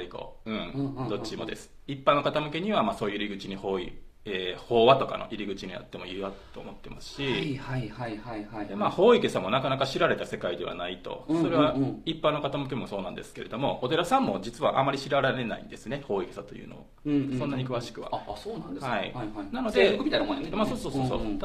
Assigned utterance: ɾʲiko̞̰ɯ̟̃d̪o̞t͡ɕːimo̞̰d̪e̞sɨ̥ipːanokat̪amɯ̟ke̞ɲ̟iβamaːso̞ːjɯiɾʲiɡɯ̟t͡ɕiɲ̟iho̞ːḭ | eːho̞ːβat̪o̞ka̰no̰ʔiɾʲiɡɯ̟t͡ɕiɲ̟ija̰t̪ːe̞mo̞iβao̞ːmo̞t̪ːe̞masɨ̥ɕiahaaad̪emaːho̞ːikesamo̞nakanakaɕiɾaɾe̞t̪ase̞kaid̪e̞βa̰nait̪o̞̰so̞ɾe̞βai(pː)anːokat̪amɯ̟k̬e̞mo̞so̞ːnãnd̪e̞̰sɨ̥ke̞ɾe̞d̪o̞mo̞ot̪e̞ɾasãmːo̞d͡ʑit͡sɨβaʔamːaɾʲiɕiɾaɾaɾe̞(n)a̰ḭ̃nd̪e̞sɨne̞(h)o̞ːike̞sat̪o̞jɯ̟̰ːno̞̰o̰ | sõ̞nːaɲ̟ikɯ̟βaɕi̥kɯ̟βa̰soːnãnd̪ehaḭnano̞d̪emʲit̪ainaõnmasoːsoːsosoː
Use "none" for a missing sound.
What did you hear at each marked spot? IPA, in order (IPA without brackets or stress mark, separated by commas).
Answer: pː, n, h